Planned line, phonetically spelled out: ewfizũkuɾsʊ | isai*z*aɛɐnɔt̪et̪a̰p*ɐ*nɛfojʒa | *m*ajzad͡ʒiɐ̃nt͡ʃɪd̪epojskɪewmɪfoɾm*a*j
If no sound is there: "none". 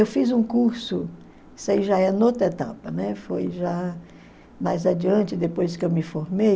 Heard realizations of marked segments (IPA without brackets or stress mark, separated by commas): ʒ, ɐ, m, e